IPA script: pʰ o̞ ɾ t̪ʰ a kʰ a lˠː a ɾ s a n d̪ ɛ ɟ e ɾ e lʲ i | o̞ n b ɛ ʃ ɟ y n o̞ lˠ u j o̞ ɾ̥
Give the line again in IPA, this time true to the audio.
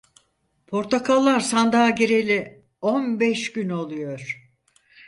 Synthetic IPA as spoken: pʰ o̞ ɾ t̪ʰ a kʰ a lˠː a ɾ s a n d̪ a ɟ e ɾ e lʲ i | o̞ n b ɛ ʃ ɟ y n o̞ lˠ u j o̞ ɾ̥